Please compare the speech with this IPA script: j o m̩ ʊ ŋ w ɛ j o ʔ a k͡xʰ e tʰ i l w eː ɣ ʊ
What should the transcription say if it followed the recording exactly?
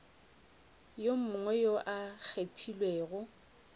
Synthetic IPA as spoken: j o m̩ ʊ ŋ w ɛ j o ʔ a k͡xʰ e tʰ i l w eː ɣ ʊ